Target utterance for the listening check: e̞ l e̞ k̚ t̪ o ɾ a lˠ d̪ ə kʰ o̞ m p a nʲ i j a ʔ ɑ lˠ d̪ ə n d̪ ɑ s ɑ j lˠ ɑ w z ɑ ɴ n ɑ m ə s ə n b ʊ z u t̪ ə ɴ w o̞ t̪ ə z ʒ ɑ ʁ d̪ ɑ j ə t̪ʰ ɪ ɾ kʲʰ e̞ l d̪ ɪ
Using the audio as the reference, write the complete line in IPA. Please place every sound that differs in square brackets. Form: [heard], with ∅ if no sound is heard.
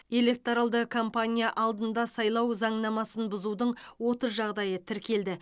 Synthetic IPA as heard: e̞ l e̞ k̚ t̪ o ɾ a lˠ d̪ ə kʰ o̞ m p a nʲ i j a ʔ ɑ lˠ d̪ ə n d̪ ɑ s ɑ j lˠ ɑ w z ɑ ɴ n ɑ m [ɑ] s ə n b ʊ z u [d̪] ə ɴ w o̞ t̪ ə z ʒ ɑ ʁ d̪ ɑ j ə t̪ʰ ɪ ɾ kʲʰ e̞ l d̪ ɪ